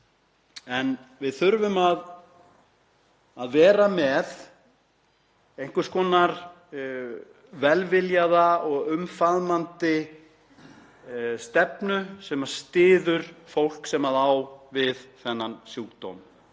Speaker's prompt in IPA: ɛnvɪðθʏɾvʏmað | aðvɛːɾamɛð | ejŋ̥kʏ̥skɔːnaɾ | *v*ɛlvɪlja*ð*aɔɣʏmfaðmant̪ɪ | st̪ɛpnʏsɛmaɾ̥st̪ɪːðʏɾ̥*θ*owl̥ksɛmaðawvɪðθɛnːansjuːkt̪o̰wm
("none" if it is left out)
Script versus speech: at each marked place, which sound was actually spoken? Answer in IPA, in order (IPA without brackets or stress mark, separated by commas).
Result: v, ð, f